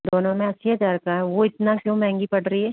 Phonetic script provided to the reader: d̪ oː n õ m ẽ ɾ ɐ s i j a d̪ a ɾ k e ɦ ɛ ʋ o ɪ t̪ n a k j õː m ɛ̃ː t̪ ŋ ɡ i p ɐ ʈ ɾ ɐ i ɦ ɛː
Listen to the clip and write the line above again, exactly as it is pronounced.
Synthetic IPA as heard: d̪ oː n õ m ẽ ɐ s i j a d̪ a ɾ k a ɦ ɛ ʋ o ɪ t̪ n a k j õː m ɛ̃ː ŋ ɡ i p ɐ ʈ ɾ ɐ i ɦ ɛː